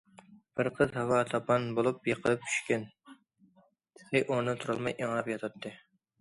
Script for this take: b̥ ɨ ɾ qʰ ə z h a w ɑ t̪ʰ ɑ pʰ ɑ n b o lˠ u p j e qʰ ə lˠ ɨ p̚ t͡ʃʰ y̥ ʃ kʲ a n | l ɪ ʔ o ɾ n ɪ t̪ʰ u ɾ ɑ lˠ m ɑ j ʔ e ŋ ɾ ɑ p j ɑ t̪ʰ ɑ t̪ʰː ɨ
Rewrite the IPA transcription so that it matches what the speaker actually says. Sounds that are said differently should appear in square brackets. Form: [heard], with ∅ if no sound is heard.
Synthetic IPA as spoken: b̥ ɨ ɾ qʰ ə z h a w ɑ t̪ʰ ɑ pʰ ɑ n b o lˠ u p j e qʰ ə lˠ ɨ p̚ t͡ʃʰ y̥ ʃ kʲ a n | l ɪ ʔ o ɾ n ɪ t̪ʰ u ɾ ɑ lˠ m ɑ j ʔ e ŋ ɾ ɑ p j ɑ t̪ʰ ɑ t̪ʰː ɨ

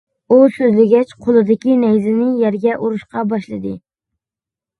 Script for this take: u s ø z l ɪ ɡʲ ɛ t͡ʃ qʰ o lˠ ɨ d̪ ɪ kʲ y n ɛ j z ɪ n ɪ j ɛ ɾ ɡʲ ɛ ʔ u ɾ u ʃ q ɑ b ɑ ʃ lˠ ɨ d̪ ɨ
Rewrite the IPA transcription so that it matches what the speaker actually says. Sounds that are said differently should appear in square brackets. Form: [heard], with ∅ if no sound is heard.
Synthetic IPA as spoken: u s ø z l ɪ ɡʲ ɛ t͡ʃ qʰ o lˠ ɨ d̪ ɪ kʲ [i] n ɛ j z ɪ n ɪ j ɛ ɾ ɡʲ ɛ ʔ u ɾ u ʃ q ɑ b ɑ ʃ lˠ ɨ d̪ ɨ

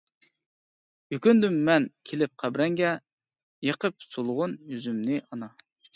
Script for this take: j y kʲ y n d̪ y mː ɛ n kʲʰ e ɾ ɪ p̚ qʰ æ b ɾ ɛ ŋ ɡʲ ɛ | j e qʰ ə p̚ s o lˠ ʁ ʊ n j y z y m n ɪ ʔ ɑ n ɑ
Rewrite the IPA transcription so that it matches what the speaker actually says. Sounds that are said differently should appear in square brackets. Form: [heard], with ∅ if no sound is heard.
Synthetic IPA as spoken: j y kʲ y n d̪ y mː ɛ n kʲʰ e [l] ɪ p̚ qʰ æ b ɾ ɛ ŋ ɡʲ ɛ | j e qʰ ə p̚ s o lˠ ʁ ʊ n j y z y m n ɪ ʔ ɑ n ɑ

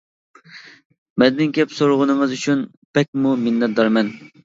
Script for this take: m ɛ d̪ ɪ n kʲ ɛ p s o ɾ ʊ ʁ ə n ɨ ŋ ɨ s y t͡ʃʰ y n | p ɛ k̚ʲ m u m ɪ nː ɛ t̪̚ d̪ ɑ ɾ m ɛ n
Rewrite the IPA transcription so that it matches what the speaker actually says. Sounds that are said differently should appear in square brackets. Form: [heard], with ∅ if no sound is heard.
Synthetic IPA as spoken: m ɛ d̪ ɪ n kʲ ɛ p s o ɾ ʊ ʁ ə n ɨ ŋ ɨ [z] y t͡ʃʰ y n | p ɛ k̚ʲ m u m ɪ nː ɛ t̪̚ d̪ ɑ ɾ m ɛ n

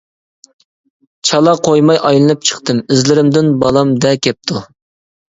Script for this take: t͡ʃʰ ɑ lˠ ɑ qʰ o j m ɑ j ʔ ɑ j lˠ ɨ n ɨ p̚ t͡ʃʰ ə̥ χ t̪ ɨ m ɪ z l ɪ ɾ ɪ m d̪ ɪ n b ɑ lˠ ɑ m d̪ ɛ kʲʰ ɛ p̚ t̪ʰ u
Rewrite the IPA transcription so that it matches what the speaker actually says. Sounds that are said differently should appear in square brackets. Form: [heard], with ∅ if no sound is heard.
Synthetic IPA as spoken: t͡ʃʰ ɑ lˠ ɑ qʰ o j m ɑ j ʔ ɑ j lˠ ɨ n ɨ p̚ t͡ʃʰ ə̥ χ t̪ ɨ m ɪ z l ɪ ɾ ɪ m d̪ ɪ n b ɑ lˠ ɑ m d̪ ɛ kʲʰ ɛ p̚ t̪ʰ u

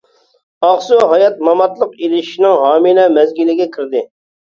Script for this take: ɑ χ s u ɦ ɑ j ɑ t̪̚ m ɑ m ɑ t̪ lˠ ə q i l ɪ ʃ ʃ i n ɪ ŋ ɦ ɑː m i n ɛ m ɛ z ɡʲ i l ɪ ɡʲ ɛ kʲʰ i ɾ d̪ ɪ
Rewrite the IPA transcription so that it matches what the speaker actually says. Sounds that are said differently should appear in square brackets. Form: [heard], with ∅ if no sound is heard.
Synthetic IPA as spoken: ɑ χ s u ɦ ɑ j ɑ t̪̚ m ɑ m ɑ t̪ lˠ ə q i l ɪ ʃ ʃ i n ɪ ŋ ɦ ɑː m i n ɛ m ɛ z ɡʲ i l ɪ ɡʲ ɛ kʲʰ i ɾ d̪ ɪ

